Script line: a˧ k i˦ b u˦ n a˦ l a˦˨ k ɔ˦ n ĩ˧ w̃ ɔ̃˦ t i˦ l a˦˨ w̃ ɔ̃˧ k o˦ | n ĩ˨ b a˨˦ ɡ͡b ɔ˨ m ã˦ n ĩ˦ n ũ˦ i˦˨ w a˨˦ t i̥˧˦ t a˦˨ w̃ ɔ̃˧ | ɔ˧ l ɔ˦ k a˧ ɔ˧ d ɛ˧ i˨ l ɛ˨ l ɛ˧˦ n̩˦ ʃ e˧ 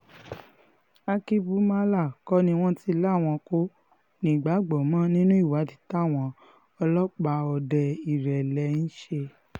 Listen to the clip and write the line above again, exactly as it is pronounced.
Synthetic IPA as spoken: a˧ k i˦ b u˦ m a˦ l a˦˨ k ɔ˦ n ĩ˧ w̃ ɔ̃˦ t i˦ l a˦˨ w̃ ɔ̃˧ k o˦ | n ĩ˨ ɡ͡b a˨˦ ɡ͡b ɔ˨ m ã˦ n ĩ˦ n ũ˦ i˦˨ w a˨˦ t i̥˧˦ t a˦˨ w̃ ɔ̃˧ | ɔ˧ l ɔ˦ k͡p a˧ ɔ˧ d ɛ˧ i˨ ɾ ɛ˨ l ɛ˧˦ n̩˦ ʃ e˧